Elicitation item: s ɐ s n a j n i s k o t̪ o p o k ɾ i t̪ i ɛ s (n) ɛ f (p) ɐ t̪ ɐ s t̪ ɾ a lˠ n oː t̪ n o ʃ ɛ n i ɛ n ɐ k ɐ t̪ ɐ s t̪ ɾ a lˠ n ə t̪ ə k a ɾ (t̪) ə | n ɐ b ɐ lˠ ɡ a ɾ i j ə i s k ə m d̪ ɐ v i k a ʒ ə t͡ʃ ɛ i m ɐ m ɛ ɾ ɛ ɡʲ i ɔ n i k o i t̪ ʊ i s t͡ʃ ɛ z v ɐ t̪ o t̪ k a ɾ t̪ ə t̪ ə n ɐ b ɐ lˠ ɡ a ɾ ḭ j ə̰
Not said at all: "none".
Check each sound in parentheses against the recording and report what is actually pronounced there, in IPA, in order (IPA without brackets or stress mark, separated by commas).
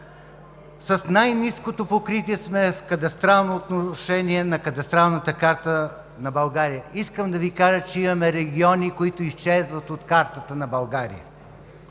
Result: m, k, t̪